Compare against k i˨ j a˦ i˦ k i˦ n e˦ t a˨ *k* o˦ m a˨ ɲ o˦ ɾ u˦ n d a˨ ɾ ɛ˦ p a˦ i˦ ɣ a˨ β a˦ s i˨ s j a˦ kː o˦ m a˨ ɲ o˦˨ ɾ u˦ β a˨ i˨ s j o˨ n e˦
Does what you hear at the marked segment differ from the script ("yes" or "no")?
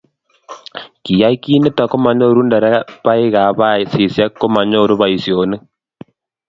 no